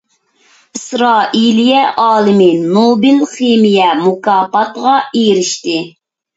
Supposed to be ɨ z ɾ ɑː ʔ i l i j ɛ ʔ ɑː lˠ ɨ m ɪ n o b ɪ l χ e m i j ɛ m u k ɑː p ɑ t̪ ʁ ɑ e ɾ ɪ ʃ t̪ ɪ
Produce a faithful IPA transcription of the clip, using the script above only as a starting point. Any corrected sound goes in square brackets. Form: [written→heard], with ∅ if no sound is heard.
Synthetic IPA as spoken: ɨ [z→s] ɾ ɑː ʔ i l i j ɛ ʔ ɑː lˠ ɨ m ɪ n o b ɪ l χ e m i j ɛ m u k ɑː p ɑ t̪ ʁ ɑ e ɾ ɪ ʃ t̪ ɪ